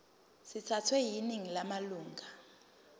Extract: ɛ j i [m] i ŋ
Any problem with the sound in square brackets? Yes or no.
yes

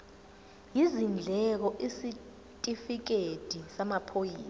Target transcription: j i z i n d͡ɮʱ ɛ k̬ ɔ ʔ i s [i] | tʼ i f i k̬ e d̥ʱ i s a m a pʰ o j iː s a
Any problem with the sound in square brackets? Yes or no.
no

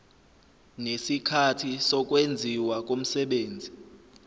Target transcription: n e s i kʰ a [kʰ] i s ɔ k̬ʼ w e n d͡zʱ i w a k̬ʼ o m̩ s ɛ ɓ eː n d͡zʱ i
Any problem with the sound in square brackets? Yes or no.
yes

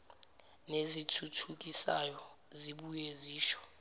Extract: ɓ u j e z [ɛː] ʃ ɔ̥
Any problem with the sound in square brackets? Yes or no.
yes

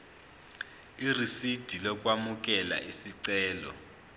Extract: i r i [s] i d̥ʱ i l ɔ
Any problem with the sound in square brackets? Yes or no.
no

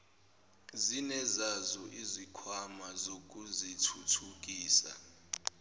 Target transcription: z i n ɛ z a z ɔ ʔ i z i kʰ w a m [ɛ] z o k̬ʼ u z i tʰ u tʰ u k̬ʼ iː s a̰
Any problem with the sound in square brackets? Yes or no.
yes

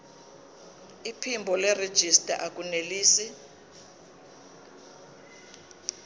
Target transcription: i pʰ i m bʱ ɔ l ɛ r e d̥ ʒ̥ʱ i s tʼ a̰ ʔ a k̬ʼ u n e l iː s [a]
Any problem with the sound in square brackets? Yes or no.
yes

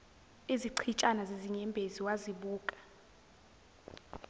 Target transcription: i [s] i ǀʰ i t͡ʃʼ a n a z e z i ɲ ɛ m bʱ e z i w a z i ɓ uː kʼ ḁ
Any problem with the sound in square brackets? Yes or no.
yes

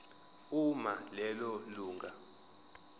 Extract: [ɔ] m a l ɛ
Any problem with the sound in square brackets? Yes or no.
yes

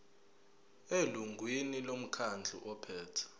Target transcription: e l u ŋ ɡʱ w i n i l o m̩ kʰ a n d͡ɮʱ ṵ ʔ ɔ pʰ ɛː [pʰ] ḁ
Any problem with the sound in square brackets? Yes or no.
yes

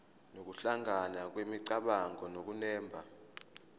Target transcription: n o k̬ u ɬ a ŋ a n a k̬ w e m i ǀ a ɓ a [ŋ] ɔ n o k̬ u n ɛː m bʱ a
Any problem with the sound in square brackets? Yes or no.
no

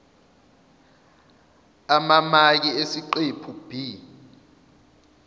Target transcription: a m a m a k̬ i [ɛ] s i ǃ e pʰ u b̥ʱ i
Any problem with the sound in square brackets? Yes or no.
yes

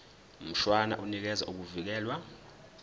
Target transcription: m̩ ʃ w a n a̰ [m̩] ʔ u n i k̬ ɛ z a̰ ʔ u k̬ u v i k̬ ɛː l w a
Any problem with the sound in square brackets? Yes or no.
yes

